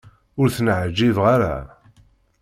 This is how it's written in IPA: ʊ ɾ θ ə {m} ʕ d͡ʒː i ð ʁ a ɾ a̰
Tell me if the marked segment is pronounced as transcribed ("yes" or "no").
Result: no